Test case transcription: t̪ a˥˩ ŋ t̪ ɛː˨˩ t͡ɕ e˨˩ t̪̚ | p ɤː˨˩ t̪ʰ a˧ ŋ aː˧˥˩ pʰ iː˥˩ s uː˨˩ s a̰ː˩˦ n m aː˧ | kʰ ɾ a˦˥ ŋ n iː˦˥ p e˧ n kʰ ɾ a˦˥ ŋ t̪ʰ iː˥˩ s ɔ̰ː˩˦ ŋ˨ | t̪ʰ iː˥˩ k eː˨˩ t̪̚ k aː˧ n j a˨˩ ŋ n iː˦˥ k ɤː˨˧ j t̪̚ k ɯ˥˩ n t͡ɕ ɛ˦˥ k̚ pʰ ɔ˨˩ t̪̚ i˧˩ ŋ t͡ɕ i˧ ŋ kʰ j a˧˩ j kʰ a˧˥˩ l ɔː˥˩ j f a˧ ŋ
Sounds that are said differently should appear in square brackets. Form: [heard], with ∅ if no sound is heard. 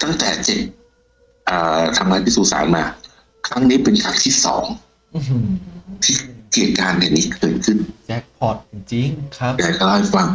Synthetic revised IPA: t̪ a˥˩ ŋ t̪ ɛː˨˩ t͡ɕ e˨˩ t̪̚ | [ʔ] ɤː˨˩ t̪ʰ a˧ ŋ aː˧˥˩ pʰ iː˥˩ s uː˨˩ s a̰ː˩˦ n m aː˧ | kʰ ɾ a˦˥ ŋ n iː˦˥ p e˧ n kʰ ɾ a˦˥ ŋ t̪ʰ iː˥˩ s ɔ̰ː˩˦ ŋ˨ | t̪ʰ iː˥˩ k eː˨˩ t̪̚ k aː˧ n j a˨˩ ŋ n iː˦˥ k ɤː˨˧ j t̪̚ [kʰ] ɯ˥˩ n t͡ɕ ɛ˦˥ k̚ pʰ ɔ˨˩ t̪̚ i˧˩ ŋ t͡ɕ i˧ ŋ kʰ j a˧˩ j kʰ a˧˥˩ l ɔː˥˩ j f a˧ ŋ

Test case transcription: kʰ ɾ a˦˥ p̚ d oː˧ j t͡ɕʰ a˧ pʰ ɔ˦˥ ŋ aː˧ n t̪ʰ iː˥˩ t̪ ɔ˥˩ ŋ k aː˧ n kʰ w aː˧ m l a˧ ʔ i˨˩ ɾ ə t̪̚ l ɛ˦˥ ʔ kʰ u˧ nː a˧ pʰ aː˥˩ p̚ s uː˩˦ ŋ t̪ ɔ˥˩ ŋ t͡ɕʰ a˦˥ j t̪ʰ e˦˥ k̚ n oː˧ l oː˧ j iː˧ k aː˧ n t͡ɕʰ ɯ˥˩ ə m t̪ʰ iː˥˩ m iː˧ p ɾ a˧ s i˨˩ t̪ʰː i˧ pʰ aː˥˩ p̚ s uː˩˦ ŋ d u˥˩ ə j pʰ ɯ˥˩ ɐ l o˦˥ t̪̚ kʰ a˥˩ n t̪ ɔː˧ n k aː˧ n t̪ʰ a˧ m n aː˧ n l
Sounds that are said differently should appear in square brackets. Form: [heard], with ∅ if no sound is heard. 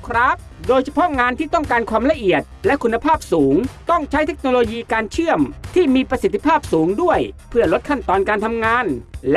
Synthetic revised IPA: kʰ ɾ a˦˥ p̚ d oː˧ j t͡ɕʰ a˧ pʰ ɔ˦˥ ŋ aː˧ n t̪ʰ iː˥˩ t̪ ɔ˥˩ ŋ k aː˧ n kʰ w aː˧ m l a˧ ʔ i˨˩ [∅] ə t̪̚ l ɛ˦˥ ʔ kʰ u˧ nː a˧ pʰ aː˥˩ p̚ s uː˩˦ ŋ t̪ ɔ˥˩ ŋ t͡ɕʰ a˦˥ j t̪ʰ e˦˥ k̚ n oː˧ l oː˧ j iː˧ k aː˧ n t͡ɕʰ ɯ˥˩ ə m t̪ʰ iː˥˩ m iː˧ p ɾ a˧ s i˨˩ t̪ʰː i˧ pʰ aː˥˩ p̚ s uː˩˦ ŋ d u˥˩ ə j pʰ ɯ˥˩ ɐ l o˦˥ t̪̚ kʰ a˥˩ n t̪ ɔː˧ n k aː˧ n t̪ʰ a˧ m [ŋ] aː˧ n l

